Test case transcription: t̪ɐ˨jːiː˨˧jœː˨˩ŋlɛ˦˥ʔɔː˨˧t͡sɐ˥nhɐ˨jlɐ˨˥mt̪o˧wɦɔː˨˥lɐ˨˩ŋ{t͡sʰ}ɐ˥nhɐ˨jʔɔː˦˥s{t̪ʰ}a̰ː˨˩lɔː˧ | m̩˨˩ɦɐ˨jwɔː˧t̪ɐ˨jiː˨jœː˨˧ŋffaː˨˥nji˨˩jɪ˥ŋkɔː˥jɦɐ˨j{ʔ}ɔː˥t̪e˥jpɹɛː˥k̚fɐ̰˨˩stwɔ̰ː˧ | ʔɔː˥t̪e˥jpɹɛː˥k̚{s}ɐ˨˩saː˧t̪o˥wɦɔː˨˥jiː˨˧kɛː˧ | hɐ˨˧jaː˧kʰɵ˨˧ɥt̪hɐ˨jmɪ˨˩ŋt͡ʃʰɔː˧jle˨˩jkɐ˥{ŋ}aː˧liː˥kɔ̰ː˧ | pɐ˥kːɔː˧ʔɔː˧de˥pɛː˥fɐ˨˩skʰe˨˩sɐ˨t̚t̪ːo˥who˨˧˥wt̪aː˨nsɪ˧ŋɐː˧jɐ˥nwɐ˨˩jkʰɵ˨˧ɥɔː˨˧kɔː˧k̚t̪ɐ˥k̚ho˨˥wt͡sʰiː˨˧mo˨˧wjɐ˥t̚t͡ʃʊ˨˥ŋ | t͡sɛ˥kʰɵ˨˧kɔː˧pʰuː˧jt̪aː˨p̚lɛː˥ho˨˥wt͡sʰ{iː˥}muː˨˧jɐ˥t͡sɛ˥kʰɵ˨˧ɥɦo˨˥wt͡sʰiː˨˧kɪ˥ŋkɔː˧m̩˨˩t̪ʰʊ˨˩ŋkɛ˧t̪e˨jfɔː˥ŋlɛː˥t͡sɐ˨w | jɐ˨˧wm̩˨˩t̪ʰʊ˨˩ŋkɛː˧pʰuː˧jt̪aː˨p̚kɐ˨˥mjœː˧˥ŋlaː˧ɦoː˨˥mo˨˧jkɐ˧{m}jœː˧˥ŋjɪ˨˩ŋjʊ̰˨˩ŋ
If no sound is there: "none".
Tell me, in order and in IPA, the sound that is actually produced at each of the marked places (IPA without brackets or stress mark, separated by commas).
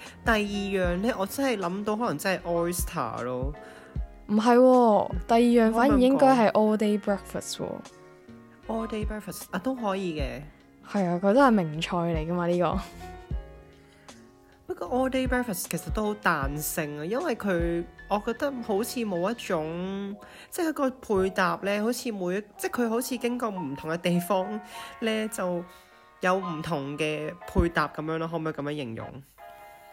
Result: t͡s, t̪ʰ, ʔ, f, m, iː˨˧, m